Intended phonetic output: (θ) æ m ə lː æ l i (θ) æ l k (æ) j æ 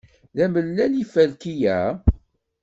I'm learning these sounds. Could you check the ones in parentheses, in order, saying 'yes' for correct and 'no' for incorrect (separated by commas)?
no, no, no